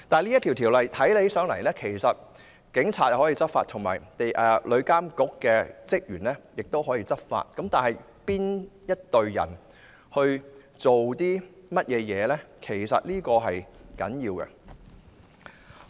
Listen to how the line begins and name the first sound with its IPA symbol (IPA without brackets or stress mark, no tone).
t̪